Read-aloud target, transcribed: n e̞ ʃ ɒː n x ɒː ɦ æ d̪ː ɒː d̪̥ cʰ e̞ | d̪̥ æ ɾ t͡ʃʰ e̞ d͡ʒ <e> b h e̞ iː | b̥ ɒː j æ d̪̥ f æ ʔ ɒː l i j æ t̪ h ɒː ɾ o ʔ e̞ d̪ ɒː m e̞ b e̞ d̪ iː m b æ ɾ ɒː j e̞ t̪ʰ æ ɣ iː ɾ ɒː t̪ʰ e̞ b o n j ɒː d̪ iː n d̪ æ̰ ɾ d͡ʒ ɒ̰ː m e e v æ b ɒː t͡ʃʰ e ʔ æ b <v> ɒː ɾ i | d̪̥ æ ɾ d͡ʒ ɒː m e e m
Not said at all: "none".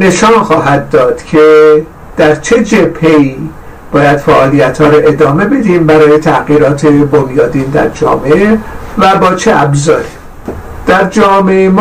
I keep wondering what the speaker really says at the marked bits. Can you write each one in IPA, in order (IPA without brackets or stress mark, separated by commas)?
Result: e, z